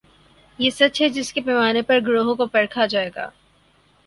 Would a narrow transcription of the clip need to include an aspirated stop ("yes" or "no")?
yes